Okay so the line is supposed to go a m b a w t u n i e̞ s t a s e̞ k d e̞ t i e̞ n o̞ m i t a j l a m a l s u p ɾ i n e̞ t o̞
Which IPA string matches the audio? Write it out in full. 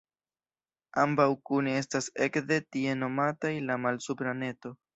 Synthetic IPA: a m b a w k u n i e̞ s t a s e̞ k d e̞ t i e̞ n o̞ m a t a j l a m a l s u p ɾ a n e̞ t o̞

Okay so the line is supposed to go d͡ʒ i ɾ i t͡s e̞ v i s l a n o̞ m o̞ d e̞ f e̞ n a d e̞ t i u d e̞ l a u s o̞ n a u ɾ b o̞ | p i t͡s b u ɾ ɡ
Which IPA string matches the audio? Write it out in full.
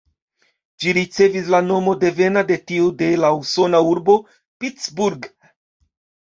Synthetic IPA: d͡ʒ i ɾ i t͡s e̞ v i s l a n o̞ m o̞ d e̞ v e̞ n a d e̞ t i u d e̞ l a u s o̞ n a u ɾ b o̞ | p i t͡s b u ɾ ɡ

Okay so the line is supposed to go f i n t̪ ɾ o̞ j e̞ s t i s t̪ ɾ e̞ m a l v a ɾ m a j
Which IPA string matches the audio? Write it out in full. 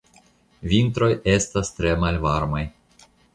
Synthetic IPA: v i n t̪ ɾ o̞ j e̞ s t a s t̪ ɾ e̞ m a l v a ɾ m a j

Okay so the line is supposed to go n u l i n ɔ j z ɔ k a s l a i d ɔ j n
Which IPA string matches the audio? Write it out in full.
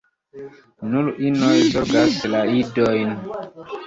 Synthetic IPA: n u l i n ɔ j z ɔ ɡ a s l a i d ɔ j n

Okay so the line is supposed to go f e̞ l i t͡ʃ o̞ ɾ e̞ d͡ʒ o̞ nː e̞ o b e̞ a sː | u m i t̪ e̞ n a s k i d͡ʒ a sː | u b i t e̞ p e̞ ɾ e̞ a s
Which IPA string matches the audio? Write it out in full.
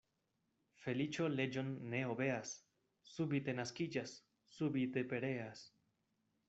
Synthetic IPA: f e̞ l i t͡ʃ o̞ l e̞ d͡ʒ o̞ nː e̞ o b e̞ a sː | u b i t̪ e̞ n a s k i d͡ʒ a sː | u b i t e̞ p e̞ ɾ e̞ a s

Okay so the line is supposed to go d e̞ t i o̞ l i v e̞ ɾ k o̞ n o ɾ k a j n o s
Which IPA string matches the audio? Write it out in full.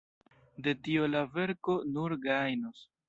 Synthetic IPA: d e̞ t i o̞ l a v e̞ ɾ k o̞ n u ɾ ɡ a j n o s

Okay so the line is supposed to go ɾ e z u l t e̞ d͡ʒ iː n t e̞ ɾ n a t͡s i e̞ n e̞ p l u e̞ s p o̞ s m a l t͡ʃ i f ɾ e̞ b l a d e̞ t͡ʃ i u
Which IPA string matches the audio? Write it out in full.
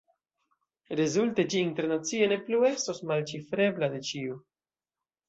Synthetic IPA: ɾ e z u l t e̞ d͡ʒ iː n t e̞ ɾ n a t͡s i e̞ n e̞ p l u e̞ s t o̞ s m a l t͡ʃ i f ɾ e̞ b l a d e̞ t͡ʃ i u

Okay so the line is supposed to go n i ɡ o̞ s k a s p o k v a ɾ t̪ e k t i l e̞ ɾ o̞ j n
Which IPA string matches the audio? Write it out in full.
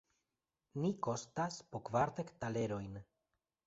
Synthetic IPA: n i k o̞ s t a s p o k v a ɾ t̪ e k t a l e̞ ɾ o̞ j n

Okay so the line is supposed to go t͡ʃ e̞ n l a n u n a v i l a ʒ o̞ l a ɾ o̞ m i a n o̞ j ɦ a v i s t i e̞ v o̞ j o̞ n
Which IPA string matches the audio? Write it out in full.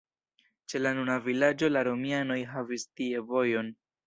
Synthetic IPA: t͡ʃ e̞ l a n u n a v i l a d͡ʒ o̞ l a ɾ o̞ m i a n o̞ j ɦ a v i s t i e̞ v o̞ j o̞ n

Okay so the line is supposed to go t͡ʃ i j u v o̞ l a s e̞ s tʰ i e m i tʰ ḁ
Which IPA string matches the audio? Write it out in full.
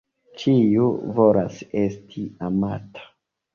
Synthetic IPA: t͡ʃ i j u v o̞ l a s e̞ s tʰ i a m a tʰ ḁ

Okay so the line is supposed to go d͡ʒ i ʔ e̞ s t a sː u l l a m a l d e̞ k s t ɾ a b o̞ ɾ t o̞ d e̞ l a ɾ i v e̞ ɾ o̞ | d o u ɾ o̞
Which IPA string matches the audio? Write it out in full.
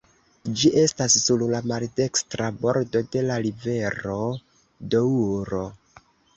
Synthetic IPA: d͡ʒ i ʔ e̞ s t a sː u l l a m a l d e̞ k s t ɾ a b o̞ ɾ d o̞ d e̞ l a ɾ i v e̞ ɾ o̞ | d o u ɾ o̞

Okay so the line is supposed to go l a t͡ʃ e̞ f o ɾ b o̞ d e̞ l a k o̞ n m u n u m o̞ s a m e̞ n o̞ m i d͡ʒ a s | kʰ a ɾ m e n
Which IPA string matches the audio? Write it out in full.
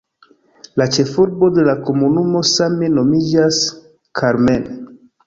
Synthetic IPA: l a t͡ʃ e̞ f u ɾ b o̞ d e̞ l a k o̞ m u n u m o̞ s a m e̞ n o̞ m i d͡ʒ a s | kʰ a ɾ m e n

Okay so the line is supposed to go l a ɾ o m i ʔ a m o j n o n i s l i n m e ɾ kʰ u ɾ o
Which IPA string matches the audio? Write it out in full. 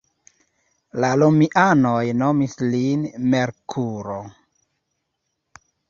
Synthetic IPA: l a l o m i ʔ a n o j n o m i s l i n m e ɾ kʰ u ɾ o

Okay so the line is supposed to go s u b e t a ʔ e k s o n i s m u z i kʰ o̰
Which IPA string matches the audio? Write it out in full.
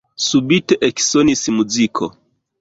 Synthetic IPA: s u b i t e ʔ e k s o n i s m u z i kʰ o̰

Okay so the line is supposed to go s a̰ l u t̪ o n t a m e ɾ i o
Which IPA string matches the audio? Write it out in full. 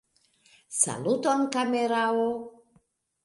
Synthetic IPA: s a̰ l u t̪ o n k a m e ɾ a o

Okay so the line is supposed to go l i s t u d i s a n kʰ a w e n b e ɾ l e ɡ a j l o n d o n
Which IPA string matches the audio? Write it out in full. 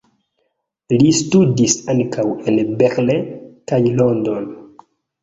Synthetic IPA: l i s t u d i s a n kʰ a w e n b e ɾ l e k a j l o n d o n

